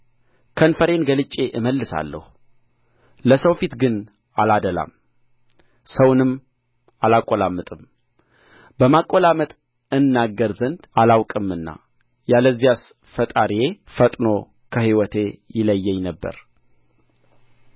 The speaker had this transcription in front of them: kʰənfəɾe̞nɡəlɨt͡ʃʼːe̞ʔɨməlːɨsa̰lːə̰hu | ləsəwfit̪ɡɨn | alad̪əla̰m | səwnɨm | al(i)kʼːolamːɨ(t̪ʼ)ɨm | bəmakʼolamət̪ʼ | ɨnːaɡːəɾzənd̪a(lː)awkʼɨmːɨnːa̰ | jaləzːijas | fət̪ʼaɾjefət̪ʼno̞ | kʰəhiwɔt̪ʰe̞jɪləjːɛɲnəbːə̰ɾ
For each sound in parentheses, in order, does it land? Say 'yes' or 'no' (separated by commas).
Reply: no, yes, no